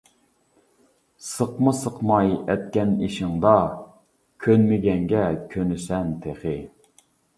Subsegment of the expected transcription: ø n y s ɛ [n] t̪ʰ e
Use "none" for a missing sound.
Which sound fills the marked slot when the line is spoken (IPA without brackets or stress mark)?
n